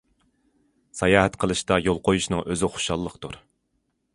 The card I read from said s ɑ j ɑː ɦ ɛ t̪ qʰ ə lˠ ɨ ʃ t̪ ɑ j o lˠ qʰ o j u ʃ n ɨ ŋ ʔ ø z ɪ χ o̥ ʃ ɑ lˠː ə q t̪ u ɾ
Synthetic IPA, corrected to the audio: s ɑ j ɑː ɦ ɛ t̪ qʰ ə lˠ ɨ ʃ t̪ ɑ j o lˠ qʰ o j u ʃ n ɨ ŋ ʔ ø z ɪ χ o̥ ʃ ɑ lˠː ə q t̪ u ɾ